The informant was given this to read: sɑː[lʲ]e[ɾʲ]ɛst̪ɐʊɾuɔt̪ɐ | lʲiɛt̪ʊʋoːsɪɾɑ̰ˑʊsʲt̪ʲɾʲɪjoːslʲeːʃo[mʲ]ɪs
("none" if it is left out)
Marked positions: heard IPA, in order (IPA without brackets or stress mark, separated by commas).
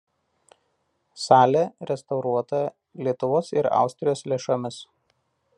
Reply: lʲ, ɾʲ, mʲ